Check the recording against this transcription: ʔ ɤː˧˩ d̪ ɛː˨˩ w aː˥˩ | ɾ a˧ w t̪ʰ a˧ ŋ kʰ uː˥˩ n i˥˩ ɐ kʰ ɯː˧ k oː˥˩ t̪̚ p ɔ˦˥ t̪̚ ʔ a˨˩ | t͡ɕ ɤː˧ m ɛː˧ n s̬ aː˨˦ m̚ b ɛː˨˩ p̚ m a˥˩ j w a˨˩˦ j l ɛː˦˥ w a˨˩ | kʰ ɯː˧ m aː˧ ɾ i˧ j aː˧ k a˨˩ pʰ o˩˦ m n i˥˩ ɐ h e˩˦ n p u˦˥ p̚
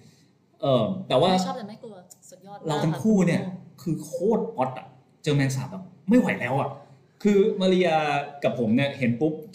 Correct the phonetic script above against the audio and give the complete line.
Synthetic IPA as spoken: ʔ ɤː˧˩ t̪ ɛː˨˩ w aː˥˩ | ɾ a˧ w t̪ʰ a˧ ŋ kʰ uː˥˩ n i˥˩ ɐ kʰ ɯː˧ kʰ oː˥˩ t̪̚ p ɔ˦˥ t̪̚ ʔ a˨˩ | t͡ɕ ɤː˧ m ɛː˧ n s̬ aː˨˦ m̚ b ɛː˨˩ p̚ m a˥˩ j w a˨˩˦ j l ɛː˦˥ w a˨˩ | kʰ ɯː˧ m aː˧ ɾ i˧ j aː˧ k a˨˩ pʰ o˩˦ m n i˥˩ ɐ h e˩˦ n p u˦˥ p̚